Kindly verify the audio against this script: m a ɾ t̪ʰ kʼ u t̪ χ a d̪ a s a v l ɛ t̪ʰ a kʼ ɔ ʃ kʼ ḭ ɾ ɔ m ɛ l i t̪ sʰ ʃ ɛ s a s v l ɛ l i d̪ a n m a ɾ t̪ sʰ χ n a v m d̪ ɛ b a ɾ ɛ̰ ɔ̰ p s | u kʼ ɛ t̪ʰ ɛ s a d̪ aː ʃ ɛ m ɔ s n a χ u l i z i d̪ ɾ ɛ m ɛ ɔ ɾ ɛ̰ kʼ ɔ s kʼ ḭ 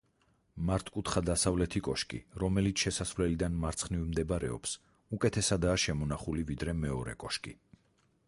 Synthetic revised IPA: m a ɾ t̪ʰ kʼ u t̪ χ a d̪ a s a v l ɛ t̪ʰ i kʼ ɔ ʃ kʼ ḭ ɾ ɔ m ɛ l i t̪ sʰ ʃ ɛ s a s v l ɛ l i d̪ a n m a ɾ t̪ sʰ χ n i v m d̪ ɛ b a ɾ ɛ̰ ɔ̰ p s | u kʼ ɛ t̪ʰ ɛ s a d̪ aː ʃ ɛ m ɔ n a χ u l i v i d̪ ɾ ɛ m ɛ ɔ ɾ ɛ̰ kʼ ɔ ʃ kʼ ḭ